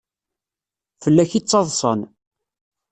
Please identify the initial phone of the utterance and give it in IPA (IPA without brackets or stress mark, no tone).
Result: f